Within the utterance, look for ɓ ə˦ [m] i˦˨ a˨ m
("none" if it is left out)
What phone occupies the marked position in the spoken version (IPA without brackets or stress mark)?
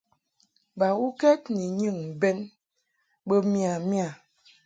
m